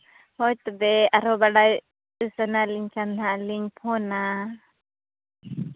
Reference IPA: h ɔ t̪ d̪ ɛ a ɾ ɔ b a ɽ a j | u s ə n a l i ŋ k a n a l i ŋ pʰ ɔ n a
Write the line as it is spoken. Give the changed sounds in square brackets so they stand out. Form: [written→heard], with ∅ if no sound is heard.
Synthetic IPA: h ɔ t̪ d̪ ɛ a ɾ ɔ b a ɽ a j | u s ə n a l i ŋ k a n a l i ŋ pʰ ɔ n a